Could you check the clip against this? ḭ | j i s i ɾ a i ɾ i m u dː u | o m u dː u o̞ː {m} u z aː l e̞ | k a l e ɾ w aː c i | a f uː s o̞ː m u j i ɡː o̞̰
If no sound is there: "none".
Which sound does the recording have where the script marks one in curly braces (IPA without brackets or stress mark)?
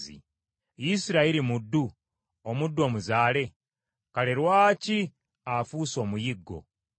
m